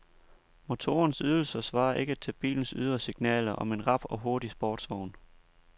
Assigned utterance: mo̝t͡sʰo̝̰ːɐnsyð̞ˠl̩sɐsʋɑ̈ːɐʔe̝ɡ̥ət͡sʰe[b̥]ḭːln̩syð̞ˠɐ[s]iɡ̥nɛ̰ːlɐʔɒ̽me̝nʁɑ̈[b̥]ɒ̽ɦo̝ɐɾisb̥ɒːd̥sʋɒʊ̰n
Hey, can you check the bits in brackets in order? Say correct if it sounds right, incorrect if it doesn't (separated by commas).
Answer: correct, correct, correct